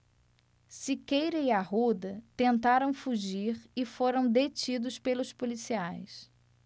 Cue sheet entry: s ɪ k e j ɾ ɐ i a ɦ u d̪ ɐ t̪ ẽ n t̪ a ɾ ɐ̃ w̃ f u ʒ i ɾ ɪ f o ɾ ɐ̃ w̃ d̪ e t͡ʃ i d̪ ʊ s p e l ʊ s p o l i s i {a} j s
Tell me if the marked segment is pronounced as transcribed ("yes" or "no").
yes